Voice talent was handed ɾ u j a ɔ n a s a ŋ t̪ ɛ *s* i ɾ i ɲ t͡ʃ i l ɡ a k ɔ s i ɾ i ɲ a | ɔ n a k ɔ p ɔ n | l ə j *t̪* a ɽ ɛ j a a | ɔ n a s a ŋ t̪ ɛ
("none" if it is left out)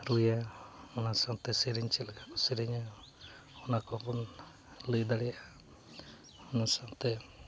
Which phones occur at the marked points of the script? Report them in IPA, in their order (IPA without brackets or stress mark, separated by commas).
s, d̪